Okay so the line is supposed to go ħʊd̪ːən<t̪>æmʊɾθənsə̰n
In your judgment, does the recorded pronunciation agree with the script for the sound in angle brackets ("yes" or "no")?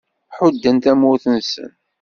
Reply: yes